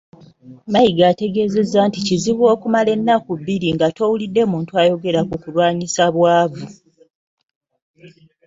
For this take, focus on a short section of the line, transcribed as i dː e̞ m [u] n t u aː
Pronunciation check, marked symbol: incorrect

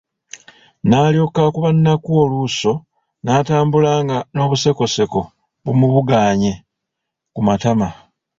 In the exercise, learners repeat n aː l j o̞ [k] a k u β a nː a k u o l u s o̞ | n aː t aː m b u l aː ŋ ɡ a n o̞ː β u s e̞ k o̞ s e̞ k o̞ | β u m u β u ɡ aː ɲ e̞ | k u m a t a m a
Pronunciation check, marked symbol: correct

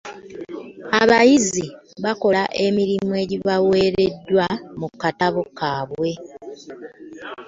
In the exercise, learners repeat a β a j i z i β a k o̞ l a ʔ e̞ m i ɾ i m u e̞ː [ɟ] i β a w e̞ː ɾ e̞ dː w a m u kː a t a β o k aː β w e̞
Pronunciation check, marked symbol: correct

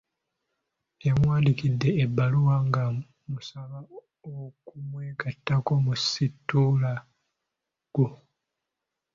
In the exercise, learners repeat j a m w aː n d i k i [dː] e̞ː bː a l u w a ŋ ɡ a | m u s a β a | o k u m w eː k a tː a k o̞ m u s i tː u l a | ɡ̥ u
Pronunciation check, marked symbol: correct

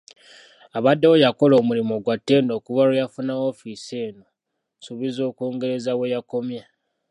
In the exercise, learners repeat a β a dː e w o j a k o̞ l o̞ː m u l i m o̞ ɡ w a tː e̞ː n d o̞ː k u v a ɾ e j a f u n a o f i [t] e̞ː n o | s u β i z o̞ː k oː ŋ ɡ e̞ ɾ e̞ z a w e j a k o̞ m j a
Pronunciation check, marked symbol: incorrect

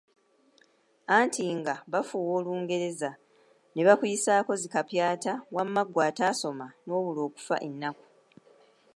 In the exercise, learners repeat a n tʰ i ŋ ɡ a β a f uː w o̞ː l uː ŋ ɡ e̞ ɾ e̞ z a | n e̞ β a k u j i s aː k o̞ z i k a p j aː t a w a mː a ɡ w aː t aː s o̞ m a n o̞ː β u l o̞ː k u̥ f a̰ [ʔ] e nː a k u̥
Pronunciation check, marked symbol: correct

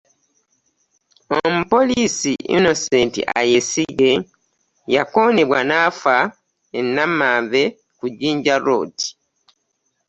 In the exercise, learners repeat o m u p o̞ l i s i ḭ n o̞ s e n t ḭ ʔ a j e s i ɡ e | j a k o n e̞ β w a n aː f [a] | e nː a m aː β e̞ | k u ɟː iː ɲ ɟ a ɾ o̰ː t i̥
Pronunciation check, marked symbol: correct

